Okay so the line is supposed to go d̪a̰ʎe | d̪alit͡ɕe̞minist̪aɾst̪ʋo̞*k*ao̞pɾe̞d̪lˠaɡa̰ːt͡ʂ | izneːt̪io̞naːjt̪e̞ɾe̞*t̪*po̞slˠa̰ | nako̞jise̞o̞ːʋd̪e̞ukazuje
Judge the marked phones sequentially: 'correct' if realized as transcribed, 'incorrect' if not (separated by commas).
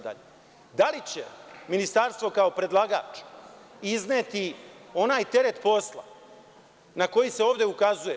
correct, correct